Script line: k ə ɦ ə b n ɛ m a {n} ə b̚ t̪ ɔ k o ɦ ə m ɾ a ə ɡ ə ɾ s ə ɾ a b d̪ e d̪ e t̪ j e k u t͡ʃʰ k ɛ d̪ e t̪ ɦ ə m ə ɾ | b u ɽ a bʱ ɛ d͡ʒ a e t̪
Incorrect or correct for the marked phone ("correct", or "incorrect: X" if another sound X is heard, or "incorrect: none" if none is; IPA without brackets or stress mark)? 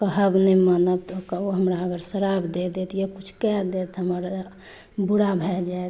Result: correct